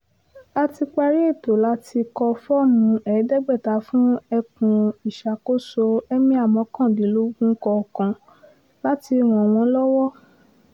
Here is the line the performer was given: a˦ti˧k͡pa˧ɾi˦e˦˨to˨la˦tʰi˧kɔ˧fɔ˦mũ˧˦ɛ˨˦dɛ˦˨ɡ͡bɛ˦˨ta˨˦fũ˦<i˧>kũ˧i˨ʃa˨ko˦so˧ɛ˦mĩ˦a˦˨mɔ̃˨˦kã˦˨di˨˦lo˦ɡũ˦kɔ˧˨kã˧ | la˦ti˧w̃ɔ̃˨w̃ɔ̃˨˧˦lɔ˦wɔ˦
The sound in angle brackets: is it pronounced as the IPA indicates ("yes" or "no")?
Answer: no